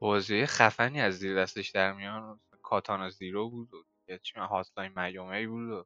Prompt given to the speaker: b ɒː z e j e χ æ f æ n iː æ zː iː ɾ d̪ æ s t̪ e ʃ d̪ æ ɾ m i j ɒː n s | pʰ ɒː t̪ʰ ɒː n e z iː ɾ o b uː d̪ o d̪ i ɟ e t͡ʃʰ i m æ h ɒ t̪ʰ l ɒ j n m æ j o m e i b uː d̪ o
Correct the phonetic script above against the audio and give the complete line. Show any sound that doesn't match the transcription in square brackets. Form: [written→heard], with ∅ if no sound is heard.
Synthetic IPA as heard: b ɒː z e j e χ æ f æ n iː æ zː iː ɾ d̪ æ s t̪ e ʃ d̪ æ ɾ m i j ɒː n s | [pʰ→kʰ] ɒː t̪ʰ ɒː n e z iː ɾ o b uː d̪ o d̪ i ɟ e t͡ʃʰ i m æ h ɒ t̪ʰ l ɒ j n m æ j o m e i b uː d̪ o